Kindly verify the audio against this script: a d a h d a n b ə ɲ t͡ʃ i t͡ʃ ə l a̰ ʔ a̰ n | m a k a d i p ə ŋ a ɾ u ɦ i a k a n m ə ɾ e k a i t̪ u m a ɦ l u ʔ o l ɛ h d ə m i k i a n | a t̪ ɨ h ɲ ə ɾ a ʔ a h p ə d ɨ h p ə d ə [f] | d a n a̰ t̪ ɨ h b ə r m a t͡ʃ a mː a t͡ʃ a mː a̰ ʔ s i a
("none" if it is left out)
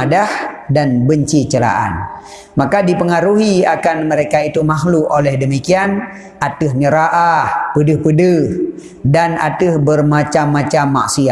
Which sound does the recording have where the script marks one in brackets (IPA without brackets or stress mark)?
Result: h